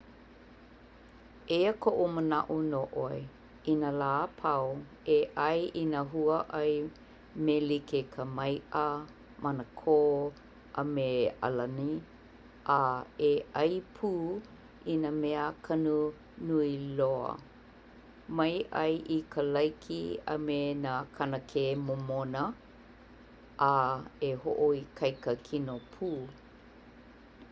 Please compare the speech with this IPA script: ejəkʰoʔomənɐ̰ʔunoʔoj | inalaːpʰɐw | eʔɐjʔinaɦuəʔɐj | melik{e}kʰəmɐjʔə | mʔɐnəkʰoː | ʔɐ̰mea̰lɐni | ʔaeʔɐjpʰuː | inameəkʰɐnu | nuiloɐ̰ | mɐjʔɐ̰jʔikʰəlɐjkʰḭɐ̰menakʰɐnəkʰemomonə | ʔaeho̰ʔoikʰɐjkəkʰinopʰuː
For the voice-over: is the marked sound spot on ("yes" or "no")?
yes